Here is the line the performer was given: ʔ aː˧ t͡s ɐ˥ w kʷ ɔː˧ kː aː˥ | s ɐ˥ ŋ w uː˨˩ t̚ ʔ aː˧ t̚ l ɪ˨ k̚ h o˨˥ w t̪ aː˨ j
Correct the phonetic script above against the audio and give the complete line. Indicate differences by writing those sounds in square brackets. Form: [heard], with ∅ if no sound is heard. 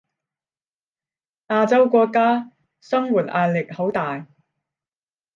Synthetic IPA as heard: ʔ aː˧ t͡s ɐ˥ w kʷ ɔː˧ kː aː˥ | s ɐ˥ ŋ w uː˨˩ t̚ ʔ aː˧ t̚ l ɪ˨ k̚ h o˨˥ w t̪ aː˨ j